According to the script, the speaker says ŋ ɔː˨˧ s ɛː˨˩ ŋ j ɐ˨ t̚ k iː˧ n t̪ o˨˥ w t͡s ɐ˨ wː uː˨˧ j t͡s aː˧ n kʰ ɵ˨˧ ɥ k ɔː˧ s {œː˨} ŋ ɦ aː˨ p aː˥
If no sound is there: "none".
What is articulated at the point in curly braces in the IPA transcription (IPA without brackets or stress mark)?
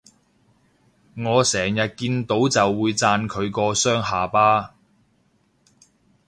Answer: œː˥